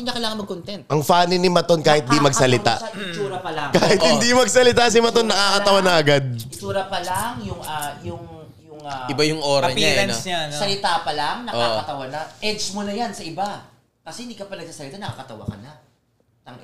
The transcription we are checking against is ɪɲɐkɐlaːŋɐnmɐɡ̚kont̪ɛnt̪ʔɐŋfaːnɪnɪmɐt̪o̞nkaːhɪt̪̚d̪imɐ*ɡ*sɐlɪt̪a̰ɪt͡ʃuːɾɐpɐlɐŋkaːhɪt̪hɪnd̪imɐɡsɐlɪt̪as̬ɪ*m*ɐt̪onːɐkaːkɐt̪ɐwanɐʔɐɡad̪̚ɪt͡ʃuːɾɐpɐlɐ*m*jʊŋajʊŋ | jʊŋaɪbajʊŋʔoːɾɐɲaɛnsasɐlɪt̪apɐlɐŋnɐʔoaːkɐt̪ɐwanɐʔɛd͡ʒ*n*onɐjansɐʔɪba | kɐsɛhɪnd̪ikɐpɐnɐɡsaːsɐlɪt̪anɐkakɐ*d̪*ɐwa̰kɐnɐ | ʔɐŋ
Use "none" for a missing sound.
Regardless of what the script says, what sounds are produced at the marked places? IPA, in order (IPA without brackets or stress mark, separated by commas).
ɡ, m, ŋ, m, t̪